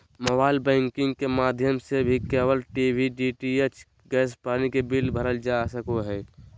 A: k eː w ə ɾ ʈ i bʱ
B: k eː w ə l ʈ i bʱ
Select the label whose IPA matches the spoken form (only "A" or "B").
B